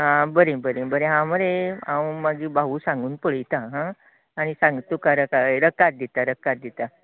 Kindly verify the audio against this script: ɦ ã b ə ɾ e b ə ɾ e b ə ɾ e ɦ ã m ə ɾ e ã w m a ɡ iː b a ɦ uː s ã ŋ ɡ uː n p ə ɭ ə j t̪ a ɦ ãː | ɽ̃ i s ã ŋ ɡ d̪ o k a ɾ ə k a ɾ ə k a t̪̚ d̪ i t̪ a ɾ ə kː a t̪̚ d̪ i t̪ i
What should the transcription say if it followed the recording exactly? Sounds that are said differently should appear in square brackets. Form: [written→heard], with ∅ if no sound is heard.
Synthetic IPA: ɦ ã b ə ɾ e b ə ɾ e b ə ɾ e ɦ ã m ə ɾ e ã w m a ɡ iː b a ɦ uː s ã ŋ ɡ uː n p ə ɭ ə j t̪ a ɦ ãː | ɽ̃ i s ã ŋ ɡ [d̪→t̪] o k a ɾ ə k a ɾ ə k a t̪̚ d̪ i t̪ a ɾ ə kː a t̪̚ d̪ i t̪ [i→a]